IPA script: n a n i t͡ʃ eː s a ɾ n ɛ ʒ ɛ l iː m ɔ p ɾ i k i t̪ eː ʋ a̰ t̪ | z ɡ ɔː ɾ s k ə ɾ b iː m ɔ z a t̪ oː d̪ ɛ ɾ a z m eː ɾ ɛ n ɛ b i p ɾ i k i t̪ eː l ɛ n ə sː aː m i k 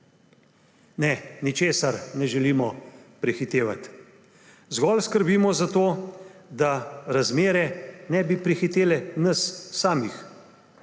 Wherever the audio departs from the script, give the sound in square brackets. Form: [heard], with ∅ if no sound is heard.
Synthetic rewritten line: n [ɛ] n i t͡ʃ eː s a ɾ n ɛ ʒ ɛ l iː m ɔ p ɾ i [x] i t̪ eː ʋ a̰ t̪ | z ɡ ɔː [l] s k ə ɾ b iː m ɔ z a t̪ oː d̪ [a] ɾ a z m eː ɾ ɛ n ɛ b i p ɾ i [x] i t̪ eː l ɛ n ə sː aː m i [x]